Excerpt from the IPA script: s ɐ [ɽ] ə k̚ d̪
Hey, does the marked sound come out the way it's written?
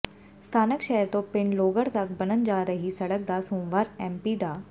yes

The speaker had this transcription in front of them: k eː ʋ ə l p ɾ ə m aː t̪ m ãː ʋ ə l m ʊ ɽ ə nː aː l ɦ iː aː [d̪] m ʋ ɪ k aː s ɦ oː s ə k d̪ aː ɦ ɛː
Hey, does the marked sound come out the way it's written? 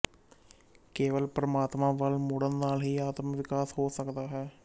no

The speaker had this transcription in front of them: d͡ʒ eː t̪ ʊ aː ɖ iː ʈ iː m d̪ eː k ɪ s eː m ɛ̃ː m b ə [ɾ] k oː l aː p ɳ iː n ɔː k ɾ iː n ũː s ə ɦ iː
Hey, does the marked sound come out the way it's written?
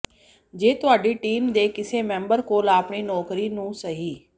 yes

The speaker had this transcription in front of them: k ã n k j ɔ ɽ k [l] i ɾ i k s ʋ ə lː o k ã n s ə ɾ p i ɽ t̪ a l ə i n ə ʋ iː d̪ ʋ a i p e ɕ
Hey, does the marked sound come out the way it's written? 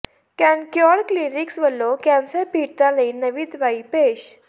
yes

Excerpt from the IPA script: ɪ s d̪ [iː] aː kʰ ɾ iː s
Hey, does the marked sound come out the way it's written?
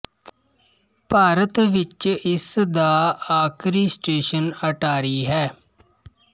no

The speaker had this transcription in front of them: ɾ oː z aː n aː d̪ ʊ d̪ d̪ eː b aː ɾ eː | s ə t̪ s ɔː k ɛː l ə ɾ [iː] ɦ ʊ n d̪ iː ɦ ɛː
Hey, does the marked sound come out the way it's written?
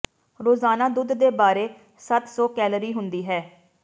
yes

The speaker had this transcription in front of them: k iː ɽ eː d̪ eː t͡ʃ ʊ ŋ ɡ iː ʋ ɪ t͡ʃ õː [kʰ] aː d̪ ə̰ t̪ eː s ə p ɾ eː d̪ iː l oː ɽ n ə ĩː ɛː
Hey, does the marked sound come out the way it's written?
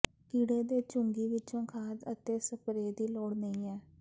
yes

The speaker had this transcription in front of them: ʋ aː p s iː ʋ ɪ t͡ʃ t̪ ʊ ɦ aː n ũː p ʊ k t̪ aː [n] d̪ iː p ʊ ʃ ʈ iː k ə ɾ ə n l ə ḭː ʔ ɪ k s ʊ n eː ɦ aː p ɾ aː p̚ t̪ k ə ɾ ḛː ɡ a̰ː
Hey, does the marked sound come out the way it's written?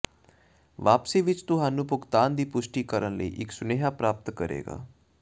yes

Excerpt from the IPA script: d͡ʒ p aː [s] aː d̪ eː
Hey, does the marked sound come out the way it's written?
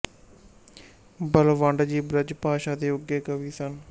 no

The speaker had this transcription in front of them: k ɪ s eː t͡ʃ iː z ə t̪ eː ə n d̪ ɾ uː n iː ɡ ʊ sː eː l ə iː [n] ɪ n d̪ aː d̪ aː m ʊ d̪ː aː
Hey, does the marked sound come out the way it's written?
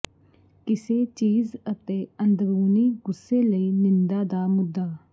yes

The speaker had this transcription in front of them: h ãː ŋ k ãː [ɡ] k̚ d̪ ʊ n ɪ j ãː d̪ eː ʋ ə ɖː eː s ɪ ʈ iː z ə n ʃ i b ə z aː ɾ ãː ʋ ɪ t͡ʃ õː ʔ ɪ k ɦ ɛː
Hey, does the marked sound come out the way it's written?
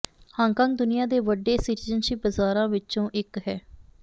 no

